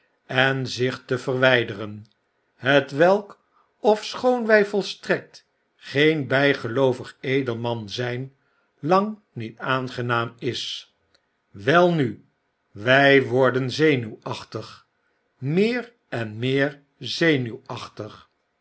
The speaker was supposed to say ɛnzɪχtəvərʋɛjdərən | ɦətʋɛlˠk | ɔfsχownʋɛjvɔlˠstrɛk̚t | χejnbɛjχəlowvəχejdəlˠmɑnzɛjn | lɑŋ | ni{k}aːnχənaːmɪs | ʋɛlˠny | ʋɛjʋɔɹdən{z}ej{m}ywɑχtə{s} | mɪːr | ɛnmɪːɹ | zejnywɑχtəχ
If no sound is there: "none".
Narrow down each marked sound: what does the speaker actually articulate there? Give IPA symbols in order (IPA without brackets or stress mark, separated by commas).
t, z, n, χ